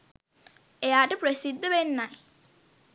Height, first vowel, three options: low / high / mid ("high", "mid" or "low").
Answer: mid